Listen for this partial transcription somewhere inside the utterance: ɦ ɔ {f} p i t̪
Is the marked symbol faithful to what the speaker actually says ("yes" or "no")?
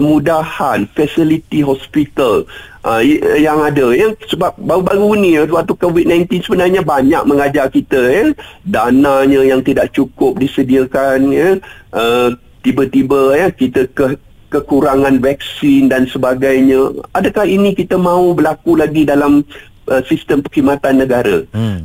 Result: no